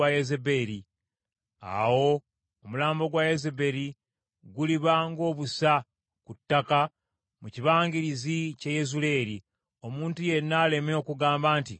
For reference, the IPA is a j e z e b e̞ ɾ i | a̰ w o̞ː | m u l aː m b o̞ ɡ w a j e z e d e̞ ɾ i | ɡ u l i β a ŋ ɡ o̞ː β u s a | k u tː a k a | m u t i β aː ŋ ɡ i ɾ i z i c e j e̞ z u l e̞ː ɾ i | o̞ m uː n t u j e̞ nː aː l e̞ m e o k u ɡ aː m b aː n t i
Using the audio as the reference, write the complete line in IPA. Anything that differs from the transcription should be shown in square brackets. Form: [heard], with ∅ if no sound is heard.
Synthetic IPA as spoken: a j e z e b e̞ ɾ i | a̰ w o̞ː | m u l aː m b o̞ ɡ w a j e z e [b] e̞ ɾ i | ɡ u l i β a ŋ ɡ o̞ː β u s a | k u tː a k a | m u [c] i β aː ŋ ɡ i ɾ i z i c e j e̞ z u l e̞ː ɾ i | o̞ m uː n t u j e̞ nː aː l e̞ m e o k u ɡ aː m b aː n t i